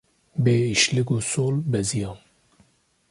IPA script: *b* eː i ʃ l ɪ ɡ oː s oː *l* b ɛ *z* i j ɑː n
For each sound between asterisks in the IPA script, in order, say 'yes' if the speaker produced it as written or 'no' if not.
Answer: yes, yes, yes

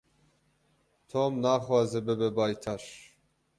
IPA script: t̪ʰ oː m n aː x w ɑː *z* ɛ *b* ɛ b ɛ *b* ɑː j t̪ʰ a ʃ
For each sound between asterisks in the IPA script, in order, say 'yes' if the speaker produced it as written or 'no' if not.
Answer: yes, yes, yes

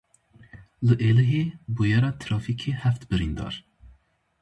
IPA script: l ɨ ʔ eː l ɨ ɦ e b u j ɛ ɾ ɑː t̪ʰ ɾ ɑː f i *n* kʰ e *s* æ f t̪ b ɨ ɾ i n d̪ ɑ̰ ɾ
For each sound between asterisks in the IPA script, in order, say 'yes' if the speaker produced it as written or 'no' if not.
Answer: no, no

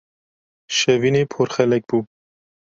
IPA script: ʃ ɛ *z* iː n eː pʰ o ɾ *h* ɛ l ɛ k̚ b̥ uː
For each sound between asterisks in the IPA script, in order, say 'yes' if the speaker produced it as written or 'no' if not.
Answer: no, no

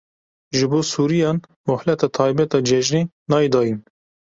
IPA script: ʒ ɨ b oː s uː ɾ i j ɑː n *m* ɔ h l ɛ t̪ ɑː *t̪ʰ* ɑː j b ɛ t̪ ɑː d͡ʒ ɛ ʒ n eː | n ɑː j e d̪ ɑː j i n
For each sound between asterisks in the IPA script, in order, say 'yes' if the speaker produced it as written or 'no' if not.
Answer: yes, yes

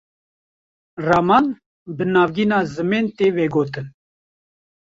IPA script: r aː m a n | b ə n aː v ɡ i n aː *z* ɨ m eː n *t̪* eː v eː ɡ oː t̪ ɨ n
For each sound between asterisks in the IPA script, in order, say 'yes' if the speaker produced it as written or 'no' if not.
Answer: yes, yes

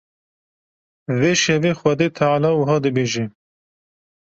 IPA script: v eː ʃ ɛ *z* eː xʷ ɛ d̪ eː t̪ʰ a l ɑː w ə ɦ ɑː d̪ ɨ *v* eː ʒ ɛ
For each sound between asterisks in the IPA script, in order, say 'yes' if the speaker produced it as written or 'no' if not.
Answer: no, no

